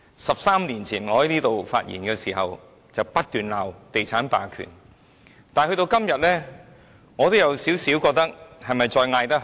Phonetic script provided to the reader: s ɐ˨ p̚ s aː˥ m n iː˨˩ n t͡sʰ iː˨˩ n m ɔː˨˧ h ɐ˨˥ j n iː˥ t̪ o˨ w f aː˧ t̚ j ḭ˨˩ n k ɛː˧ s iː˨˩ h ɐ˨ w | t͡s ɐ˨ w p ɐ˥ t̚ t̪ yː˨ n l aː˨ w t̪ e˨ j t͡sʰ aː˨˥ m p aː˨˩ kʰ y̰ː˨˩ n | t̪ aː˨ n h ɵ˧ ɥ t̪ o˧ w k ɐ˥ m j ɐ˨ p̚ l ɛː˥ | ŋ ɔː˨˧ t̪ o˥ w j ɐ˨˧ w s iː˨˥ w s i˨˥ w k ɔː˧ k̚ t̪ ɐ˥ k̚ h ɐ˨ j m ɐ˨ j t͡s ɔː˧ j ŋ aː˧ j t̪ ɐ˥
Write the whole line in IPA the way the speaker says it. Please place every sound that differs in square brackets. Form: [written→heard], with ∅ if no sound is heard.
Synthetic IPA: s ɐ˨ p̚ s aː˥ m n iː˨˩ n t͡sʰ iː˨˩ n [m→ŋ] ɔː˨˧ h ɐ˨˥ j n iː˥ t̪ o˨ w f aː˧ t̚ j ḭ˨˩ n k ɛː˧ s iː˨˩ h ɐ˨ w | t͡s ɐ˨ w p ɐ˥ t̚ t̪ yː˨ n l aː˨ w t̪ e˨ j t͡sʰ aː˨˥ [m→n] p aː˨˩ kʰ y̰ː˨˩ n | t̪ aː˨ n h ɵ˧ ɥ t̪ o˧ w k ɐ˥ m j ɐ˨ [p̚→t̚] l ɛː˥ | ŋ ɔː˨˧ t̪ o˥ w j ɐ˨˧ w s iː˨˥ w s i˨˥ w k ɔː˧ k̚ t̪ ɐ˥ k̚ h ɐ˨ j m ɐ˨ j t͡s ɔː˧ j ŋ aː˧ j t̪ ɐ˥

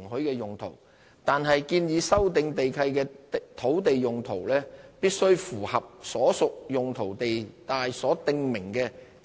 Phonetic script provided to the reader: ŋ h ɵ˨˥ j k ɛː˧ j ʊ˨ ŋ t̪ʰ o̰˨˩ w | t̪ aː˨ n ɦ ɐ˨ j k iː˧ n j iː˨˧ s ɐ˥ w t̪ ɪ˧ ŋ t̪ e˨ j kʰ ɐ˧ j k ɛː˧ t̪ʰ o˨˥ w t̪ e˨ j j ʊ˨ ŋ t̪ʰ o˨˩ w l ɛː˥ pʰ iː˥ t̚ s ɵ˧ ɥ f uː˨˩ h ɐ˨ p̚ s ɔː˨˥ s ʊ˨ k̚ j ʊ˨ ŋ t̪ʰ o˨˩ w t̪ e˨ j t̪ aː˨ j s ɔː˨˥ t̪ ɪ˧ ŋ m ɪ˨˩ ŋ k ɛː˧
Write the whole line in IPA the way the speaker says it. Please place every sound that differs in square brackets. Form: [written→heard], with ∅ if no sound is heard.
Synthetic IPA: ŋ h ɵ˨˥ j k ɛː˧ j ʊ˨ ŋ t̪ʰ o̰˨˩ w | t̪ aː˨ n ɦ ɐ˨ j k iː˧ n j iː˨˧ s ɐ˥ w t̪ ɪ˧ ŋ t̪ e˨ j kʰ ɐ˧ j k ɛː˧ t̪ʰ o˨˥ w t̪ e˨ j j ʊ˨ ŋ t̪ʰ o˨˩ w l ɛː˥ [pʰ→p] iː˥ t̚ s [ɵ˧→ɵ˥] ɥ f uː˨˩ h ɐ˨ p̚ s ɔː˨˥ s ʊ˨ k̚ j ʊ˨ ŋ t̪ʰ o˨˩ w t̪ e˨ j t̪ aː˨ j s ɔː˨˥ t̪ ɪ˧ ŋ m ɪ˨˩ ŋ k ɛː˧

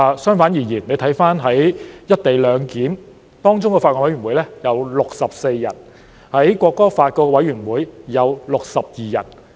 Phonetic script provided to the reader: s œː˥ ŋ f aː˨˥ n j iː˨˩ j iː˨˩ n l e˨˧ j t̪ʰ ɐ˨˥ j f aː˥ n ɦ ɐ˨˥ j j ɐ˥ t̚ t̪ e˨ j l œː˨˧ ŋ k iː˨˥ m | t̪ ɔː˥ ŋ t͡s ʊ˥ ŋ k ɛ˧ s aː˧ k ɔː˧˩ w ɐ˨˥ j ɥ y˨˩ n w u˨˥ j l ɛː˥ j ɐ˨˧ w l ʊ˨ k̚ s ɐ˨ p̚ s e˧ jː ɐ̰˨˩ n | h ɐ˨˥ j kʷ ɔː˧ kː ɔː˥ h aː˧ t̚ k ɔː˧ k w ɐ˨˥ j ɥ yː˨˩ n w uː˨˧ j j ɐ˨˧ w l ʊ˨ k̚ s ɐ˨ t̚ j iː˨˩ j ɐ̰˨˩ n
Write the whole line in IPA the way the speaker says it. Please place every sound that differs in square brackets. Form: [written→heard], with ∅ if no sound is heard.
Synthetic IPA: s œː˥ ŋ f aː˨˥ n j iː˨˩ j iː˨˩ n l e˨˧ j t̪ʰ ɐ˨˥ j f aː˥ n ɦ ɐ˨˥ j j ɐ˥ t̚ t̪ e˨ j l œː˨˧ ŋ k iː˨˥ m | t̪ ɔː˥ ŋ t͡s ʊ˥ ŋ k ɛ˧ [s→f] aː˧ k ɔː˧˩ w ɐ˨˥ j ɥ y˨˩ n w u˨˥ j l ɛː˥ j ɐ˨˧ w l ʊ˨ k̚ s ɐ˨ p̚ s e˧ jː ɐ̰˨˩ n | h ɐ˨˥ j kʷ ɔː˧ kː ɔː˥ [h→f] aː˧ t̚ k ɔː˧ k w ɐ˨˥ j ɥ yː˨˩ n w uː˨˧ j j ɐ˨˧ w l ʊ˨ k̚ s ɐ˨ [t̚→p̚] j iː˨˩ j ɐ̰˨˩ n

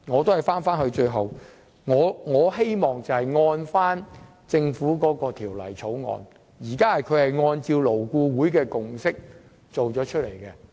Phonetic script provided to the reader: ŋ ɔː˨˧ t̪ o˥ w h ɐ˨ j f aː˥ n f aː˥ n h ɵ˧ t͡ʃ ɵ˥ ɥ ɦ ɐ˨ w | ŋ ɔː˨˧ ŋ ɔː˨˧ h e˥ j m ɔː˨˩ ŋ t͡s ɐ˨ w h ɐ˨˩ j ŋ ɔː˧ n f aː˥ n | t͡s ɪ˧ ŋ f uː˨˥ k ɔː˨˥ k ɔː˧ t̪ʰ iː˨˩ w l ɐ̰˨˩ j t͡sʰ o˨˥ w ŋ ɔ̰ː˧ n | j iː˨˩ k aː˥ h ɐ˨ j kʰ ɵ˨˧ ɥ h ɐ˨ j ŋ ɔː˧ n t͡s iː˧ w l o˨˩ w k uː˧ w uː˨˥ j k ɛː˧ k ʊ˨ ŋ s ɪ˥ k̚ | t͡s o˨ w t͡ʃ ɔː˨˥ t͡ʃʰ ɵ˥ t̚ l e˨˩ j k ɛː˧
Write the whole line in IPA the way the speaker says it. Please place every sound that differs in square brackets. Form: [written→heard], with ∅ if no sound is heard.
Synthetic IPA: ŋ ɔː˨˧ t̪ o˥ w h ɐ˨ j f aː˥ n f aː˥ n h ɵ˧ t͡ʃ [ɵ˥→ɵ˧] ɥ ɦ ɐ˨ w | ŋ ɔː˨˧ ŋ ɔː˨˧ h e˥ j m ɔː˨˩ ŋ t͡s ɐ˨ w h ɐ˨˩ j ŋ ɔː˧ n f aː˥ n | t͡s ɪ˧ ŋ f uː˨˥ k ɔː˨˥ k ɔː˧ t̪ʰ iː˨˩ w l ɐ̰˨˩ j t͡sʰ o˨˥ w ŋ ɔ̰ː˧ n | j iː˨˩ k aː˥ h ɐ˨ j kʰ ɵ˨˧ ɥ h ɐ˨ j ŋ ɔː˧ n t͡s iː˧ w l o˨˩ w k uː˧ w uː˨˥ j k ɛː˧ k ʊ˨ ŋ s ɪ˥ k̚ | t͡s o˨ w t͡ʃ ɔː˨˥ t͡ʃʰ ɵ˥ t̚ l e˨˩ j k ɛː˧

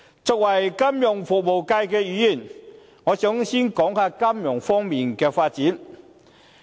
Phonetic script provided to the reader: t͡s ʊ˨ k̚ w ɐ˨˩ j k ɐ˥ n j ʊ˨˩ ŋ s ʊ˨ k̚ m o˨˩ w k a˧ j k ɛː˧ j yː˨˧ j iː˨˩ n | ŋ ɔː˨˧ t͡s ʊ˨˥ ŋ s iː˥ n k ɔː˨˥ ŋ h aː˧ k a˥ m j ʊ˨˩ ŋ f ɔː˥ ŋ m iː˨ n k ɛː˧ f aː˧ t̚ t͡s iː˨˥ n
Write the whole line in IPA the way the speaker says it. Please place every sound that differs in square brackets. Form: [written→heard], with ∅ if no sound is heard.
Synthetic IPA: t͡s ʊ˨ k̚ w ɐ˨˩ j k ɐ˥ [n→m] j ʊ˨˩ ŋ [s→f] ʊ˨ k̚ m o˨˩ w k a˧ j k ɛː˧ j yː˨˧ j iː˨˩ n | ŋ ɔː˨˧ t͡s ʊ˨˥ ŋ s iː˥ n k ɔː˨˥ ŋ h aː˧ k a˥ m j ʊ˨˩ ŋ f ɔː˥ ŋ m iː˨ n k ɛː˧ f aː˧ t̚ t͡s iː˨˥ n

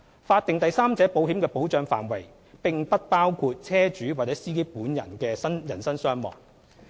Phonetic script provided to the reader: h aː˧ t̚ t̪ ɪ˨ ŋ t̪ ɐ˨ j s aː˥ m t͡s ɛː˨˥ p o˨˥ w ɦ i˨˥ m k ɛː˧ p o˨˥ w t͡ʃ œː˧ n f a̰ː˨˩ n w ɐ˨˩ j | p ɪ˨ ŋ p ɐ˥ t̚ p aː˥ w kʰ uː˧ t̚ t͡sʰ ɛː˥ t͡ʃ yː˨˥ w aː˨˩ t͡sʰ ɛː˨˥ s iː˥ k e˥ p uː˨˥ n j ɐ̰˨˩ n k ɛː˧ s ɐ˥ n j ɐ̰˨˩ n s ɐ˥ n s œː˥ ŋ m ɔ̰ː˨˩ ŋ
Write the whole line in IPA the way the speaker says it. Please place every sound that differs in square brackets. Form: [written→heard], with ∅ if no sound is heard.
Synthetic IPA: [h→f] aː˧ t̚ t̪ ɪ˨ ŋ t̪ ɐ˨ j s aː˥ m t͡s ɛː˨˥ p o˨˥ w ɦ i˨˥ m k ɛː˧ p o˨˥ w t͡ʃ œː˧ [n→ŋ] f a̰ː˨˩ n w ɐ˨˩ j | p ɪ˨ ŋ p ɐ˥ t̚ p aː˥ w kʰ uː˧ t̚ t͡sʰ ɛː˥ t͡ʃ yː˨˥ w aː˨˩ [t͡sʰ→t͡s] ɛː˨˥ s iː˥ k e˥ p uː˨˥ n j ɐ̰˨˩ n k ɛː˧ s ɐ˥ n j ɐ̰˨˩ n s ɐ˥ n s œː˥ ŋ m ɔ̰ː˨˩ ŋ

